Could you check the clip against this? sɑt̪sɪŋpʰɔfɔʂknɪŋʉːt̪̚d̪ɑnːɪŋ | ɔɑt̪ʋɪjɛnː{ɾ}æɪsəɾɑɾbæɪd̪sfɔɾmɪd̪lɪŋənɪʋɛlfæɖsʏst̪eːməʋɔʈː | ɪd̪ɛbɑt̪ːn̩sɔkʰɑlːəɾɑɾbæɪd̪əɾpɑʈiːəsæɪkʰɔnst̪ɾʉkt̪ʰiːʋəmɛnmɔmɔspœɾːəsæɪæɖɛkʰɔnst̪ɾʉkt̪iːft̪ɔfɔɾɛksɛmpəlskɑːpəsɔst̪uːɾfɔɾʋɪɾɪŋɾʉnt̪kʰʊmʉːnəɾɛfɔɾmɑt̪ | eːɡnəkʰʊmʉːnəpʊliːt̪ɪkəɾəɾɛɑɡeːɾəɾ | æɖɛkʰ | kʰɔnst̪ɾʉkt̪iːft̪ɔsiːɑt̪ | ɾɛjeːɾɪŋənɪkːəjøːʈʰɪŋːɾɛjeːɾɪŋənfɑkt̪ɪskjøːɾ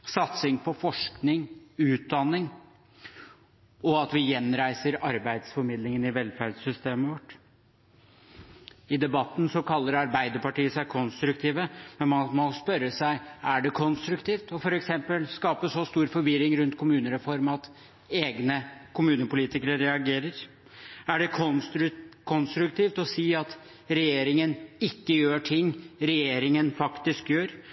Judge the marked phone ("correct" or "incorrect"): correct